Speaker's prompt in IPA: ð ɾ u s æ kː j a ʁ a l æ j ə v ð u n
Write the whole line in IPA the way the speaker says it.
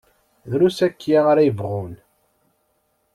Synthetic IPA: ð ɾ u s æ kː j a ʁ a ɾ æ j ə v ʁ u n